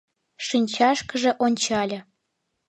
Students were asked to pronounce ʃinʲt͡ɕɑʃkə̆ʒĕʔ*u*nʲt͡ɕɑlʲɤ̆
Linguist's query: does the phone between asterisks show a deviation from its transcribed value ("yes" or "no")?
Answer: yes